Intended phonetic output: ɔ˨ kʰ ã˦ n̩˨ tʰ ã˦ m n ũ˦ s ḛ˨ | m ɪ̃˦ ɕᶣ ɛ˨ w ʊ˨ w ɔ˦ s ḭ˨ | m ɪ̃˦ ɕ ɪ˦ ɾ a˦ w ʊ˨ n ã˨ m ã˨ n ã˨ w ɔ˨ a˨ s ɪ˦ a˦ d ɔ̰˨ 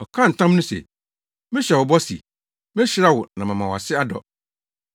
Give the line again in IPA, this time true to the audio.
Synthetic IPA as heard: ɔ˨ kʰ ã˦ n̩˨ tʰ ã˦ m n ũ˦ s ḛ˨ | m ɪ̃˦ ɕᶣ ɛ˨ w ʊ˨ b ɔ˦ s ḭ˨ | m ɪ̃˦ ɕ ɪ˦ ɾ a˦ w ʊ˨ n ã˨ m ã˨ m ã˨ w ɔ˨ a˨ s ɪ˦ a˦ d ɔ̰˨